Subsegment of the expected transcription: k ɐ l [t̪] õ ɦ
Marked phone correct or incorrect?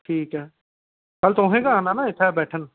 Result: correct